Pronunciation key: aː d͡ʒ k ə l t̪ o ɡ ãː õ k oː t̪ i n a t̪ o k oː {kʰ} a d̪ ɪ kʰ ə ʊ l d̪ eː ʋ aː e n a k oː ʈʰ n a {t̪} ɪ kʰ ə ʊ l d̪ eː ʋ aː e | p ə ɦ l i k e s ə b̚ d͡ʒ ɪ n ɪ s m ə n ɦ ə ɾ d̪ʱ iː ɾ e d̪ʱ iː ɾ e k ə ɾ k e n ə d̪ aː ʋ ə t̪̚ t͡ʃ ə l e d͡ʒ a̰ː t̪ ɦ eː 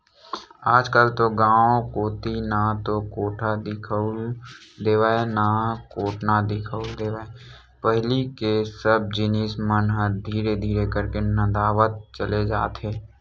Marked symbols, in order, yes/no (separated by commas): no, no